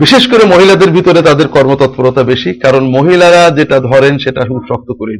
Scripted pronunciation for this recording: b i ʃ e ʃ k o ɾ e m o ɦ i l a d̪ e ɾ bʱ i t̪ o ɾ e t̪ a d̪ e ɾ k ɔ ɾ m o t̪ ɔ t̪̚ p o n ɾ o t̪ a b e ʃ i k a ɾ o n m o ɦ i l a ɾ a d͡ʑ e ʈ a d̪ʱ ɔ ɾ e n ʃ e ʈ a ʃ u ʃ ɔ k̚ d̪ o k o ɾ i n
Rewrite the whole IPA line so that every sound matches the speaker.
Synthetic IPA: b i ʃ e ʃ k o ɾ e m o ɦ i l a d̪ e ɾ bʱ i t̪ o ɾ e t̪ a d̪ e ɾ k ɔ ɾ m o t̪ ɔ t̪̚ p o ɾ o t̪ a b e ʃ i k a ɾ o n m o ɦ i l a ɾ a d͡ʑ e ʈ a d̪ʱ ɔ ɾ e n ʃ e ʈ a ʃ u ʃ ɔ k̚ t̪ o k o ɾ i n